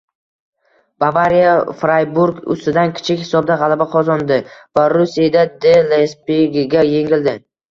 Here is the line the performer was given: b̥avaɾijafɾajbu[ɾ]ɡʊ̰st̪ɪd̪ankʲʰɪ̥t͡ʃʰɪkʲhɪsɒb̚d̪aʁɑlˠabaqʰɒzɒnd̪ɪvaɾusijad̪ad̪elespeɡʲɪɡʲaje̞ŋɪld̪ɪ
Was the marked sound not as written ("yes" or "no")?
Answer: no